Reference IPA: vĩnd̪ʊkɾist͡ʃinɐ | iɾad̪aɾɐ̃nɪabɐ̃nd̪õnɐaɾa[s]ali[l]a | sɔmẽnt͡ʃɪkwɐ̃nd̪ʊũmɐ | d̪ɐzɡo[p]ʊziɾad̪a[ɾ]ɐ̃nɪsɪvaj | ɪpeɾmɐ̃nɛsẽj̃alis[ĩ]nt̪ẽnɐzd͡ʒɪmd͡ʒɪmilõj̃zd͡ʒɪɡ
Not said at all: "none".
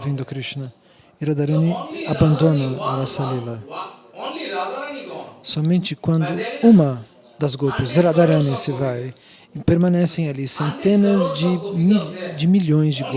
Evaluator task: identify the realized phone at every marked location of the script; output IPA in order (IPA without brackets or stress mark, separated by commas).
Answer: s, l, p, ɾ, ẽ